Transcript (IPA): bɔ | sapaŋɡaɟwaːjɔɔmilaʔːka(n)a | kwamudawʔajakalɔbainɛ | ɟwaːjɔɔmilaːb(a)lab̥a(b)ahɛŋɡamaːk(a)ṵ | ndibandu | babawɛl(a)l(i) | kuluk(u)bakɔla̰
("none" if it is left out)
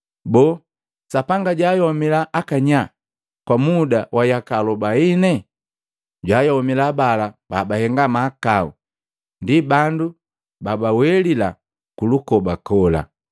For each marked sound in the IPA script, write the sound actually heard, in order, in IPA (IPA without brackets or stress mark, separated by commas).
ɲ, a, b, a, i, a, ɔ